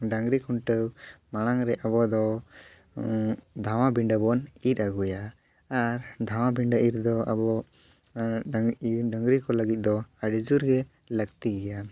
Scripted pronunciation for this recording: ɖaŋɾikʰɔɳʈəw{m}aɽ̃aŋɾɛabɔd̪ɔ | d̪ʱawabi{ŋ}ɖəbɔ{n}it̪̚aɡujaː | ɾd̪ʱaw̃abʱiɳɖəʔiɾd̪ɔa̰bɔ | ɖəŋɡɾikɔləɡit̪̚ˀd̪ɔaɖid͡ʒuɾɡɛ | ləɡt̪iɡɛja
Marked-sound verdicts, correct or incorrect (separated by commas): correct, incorrect, correct